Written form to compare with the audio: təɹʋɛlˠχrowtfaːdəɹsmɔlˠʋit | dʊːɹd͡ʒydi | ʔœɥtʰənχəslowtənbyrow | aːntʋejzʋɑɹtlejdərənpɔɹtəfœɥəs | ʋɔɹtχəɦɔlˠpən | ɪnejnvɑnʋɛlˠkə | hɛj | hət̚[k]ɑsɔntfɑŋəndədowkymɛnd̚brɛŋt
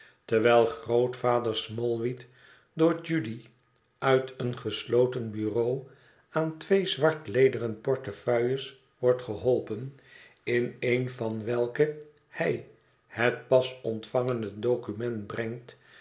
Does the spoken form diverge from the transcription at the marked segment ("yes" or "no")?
yes